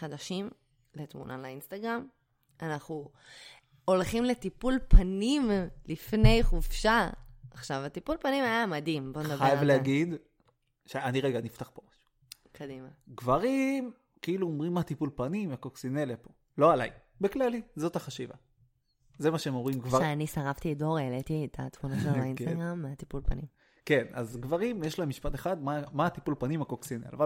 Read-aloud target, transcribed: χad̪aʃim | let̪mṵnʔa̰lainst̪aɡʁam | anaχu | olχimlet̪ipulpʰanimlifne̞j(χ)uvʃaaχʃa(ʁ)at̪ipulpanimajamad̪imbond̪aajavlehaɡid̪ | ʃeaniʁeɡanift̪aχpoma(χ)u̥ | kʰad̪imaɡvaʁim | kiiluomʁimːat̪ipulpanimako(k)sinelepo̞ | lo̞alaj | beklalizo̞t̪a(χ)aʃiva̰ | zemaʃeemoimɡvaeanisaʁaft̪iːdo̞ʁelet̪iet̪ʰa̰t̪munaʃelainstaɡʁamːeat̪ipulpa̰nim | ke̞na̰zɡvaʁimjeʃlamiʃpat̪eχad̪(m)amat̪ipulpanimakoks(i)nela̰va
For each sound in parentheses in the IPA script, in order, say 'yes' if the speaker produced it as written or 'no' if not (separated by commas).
yes, no, no, yes, yes, yes, yes